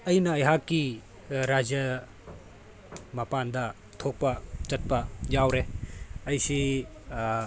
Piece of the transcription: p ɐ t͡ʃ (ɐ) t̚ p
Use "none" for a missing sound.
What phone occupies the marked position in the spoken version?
ɐ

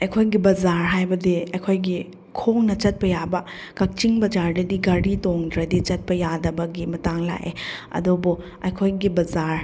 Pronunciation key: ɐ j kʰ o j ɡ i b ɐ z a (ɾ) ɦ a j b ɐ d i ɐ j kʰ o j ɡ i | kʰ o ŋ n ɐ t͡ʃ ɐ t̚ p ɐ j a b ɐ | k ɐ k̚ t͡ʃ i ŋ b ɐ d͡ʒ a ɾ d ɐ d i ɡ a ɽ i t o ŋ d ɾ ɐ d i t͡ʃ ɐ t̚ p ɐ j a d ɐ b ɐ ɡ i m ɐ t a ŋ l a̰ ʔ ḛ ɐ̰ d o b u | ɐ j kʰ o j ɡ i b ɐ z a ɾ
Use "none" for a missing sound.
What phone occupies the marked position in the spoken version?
ɾ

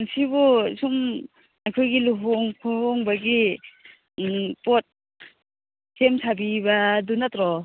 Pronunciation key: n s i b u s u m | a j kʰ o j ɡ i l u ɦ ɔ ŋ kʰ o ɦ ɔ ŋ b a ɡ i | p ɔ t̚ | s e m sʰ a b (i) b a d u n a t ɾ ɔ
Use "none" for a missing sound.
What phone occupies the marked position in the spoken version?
i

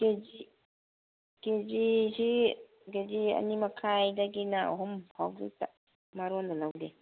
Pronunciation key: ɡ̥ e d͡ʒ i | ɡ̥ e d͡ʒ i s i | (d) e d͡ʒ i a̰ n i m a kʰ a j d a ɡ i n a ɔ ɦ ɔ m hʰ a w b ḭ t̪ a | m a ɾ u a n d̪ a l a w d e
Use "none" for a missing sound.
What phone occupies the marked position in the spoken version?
ɡ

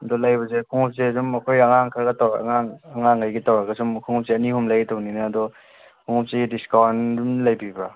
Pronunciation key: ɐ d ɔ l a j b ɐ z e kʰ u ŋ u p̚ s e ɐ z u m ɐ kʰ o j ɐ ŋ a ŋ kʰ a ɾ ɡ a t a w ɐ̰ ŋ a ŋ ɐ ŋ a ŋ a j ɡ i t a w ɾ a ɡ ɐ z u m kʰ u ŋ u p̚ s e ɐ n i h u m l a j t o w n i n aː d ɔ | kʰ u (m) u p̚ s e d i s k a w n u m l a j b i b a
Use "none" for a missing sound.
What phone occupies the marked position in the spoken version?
ŋ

